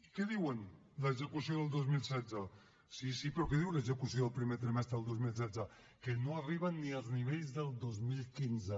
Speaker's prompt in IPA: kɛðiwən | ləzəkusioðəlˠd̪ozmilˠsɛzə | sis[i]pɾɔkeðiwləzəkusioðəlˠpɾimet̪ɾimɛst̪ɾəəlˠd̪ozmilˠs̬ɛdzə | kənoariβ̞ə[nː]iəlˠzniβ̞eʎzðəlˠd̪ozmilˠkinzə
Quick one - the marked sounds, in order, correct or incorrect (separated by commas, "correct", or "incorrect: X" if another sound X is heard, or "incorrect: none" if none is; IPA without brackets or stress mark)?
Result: correct, correct